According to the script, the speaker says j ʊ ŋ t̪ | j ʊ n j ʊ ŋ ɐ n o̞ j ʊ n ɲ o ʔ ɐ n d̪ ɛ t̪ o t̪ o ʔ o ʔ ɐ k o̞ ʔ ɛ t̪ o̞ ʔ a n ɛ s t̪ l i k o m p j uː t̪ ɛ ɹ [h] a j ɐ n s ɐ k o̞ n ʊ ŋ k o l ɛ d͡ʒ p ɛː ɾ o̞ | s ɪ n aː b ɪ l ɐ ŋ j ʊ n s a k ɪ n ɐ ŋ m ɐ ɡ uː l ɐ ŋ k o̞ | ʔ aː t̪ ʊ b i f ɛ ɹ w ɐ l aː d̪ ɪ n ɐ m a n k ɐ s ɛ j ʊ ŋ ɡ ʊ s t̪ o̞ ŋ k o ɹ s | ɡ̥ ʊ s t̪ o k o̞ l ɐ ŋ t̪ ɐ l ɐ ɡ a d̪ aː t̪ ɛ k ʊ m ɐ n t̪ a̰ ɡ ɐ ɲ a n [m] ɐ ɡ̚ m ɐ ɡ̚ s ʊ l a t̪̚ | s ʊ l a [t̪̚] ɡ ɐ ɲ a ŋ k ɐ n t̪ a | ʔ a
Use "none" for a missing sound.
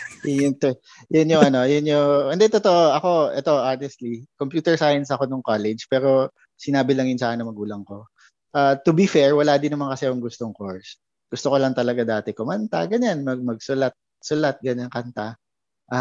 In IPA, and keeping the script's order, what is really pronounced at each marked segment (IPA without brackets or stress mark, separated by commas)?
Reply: s, m, t̪̚